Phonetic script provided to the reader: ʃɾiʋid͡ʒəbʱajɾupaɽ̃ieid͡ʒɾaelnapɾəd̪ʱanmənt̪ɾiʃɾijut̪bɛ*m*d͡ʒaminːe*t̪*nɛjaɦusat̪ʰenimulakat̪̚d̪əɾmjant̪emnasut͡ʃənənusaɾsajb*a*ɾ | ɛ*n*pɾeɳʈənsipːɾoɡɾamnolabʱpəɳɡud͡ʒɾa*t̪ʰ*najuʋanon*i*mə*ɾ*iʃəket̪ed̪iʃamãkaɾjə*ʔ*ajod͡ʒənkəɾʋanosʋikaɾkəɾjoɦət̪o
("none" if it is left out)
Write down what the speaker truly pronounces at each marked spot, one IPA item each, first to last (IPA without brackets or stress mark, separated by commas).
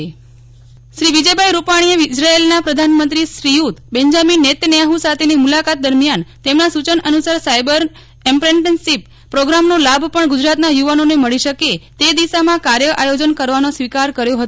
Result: ɲ, t̪, ə, m, t̪, e, ɭ, ʔ